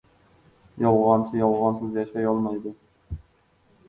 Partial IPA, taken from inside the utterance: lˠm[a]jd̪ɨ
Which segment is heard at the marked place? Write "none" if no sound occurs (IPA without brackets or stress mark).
ɑ